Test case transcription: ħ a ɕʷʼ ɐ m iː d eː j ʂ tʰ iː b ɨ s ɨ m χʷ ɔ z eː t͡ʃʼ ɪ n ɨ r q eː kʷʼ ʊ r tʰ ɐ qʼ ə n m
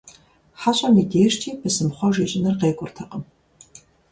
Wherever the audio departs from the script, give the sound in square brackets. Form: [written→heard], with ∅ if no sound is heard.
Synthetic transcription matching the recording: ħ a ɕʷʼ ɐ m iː d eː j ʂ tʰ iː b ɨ s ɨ m χʷ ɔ [z→ʒ] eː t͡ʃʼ ɪ n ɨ r q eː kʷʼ ʊ r tʰ ɐ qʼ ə [n→∅] m